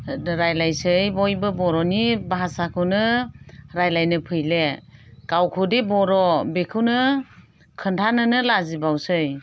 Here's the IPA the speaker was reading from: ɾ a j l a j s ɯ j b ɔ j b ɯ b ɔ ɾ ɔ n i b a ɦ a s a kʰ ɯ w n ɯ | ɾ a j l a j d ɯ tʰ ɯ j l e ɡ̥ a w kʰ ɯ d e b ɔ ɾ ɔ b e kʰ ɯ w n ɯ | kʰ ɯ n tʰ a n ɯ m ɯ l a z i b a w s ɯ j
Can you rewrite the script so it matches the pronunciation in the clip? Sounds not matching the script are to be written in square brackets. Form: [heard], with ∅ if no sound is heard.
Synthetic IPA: ɾ a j l a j s ɯ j b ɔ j b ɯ b ɔ ɾ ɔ n i b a ɦ a s a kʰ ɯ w n ɯ | ɾ a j l a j [n] ɯ [pʰ] ɯ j l e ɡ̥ a w kʰ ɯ d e b ɔ ɾ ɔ b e kʰ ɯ w n ɯ | kʰ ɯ n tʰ a n ɯ [n] ɯ l a z i b a w s ɯ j

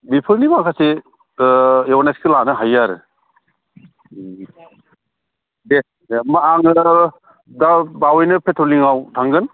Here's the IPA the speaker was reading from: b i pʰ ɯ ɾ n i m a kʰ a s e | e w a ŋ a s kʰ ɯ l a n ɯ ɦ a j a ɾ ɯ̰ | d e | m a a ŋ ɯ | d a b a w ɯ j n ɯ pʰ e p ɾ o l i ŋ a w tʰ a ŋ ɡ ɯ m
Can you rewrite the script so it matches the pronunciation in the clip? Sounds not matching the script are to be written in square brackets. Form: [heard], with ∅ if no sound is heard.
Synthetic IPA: b i pʰ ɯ ɾ n i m a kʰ a s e | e w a [n] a s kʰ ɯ l a n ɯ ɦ a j a ɾ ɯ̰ | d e | m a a ŋ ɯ | d a b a w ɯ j n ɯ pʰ e [t] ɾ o l i ŋ a w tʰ a ŋ ɡ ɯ [n]

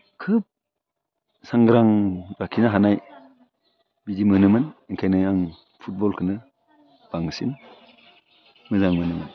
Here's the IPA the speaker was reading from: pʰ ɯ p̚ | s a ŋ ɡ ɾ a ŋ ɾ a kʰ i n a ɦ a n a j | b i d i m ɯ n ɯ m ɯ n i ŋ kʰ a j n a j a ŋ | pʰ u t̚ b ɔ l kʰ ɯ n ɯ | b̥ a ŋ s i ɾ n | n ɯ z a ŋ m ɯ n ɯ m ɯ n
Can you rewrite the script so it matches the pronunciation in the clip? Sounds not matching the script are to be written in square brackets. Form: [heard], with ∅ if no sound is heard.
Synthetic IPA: [kʰ] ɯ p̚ | s a ŋ ɡ ɾ a ŋ ɾ a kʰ i n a ɦ a n a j | b i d i m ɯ n ɯ m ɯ n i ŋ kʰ a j n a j a ŋ | pʰ u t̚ b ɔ l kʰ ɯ n ɯ | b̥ a ŋ s i [∅] n | [m] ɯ z a ŋ m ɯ n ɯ m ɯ n

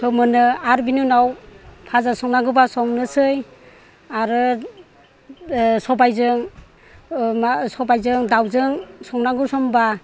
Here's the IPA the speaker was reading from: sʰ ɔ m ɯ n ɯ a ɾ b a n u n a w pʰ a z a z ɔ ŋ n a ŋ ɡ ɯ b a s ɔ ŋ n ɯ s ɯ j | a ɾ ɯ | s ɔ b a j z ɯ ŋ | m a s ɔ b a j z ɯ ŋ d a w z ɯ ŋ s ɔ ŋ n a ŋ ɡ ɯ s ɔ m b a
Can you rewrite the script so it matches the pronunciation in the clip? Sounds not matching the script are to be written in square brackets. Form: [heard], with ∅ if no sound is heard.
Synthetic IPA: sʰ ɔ m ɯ n ɯ a ɾ b [i] n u n a w pʰ a z a [s] ɔ ŋ n a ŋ ɡ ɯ b a s ɔ ŋ n ɯ s ɯ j | a ɾ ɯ | s ɔ b a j z ɯ ŋ | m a s ɔ b a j z ɯ ŋ d a w z ɯ ŋ s ɔ ŋ n a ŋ ɡ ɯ s ɔ m b a

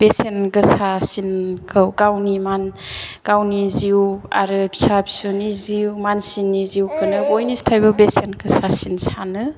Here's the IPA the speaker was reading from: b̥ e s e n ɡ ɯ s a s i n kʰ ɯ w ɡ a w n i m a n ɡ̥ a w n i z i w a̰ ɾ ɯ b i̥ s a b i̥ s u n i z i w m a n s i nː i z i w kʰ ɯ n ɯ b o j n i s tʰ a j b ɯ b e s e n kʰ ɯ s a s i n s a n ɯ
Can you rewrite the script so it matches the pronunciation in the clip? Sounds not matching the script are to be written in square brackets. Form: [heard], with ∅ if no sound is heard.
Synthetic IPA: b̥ e s e n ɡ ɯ s a s i n kʰ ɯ w ɡ a w n i m a n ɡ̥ a w n i z i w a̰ ɾ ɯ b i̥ s a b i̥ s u n i z i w m a n s i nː i z i w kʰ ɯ n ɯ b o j n i s tʰ a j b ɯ b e s e n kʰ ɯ s a s i n s a n ɯ

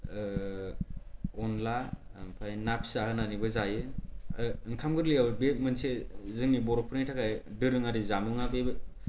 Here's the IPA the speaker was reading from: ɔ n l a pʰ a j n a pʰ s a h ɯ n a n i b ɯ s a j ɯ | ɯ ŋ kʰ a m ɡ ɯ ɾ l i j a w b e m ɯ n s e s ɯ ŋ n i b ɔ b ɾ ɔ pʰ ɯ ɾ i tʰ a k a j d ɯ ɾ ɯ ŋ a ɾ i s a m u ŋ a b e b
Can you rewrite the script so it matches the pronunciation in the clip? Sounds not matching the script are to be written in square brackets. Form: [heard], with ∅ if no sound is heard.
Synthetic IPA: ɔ n l a pʰ a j n a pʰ s a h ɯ n a n i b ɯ [z] a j ɯ | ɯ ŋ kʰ a m ɡ ɯ ɾ l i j a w b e m ɯ n s e [z] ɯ ŋ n i b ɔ [∅] ɾ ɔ pʰ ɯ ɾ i tʰ a k a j d ɯ ɾ ɯ ŋ a ɾ i [z] a m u ŋ a b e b

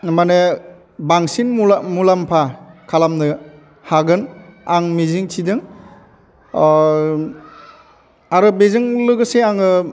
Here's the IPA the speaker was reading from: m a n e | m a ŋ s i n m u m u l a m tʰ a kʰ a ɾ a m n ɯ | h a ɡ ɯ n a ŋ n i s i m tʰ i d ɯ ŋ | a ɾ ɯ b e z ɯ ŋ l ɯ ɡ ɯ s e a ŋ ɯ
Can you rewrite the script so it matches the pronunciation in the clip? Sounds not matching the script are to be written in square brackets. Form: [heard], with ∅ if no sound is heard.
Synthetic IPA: m a n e | [b] a ŋ s i n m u m u l a m [pʰ] a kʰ a [l] a m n ɯ | h a ɡ ɯ n a ŋ [m] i [z] i [ŋ] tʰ i d ɯ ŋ | a ɾ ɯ b e z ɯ ŋ l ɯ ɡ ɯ s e a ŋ ɯ

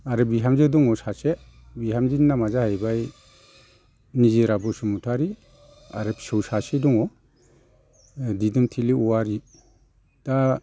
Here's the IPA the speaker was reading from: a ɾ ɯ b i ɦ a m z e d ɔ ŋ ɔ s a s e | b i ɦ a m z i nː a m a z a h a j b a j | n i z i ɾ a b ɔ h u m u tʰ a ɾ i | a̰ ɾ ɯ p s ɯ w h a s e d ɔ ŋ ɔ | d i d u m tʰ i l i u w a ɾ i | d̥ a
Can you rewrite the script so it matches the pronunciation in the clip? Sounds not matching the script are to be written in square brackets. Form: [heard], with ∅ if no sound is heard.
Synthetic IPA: a ɾ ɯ b i ɦ a m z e d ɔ ŋ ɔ s a s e | b i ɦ a m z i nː a m a z a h a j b a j | n i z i ɾ a b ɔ [s] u m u tʰ a ɾ i | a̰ ɾ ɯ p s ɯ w [s] a s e d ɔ ŋ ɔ | d i d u m tʰ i l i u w a ɾ i | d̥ a

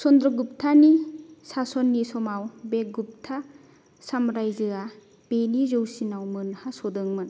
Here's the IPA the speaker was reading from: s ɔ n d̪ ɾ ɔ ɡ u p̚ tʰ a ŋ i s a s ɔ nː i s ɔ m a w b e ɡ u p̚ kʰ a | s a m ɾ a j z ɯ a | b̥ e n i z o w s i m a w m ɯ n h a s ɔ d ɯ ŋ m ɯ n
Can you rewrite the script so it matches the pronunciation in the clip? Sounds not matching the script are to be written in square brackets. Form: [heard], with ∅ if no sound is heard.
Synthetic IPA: s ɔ n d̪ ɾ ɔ ɡ u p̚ tʰ a [n] i s a s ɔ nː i s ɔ m a w b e ɡ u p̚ [tʰ] a | s a m ɾ a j z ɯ a | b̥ e n i z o w s i [n] a w m ɯ n h a s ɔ d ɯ ŋ m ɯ n

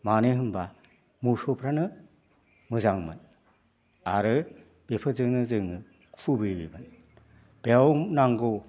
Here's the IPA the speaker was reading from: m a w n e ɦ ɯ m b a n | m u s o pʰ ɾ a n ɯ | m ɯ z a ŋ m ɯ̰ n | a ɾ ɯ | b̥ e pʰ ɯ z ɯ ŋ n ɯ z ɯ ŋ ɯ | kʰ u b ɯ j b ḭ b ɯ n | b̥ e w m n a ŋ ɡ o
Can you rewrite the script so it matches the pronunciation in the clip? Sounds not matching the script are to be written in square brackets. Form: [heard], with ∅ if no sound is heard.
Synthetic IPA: m a [∅] n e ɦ ɯ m b a [∅] | m u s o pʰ ɾ a n ɯ | m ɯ z a ŋ m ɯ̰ n | a ɾ ɯ | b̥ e pʰ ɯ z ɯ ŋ n ɯ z ɯ ŋ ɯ | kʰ u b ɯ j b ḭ b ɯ n | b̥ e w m n a ŋ ɡ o

